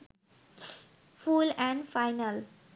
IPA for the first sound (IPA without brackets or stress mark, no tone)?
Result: f